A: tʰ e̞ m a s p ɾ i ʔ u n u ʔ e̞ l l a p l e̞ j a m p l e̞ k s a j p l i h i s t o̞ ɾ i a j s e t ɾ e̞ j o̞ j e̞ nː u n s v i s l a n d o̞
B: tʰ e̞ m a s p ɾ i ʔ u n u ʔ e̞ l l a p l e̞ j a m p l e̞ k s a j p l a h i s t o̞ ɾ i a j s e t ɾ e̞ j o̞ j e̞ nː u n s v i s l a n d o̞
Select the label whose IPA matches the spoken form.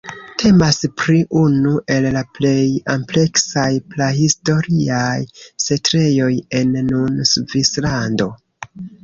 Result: B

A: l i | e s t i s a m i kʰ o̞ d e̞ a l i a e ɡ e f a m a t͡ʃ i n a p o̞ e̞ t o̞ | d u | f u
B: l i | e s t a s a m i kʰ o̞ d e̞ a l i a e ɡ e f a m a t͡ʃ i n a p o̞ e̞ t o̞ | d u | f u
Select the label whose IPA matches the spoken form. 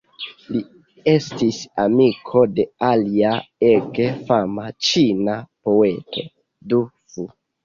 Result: A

